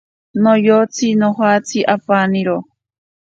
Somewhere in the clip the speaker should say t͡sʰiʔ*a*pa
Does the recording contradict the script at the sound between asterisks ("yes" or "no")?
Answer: no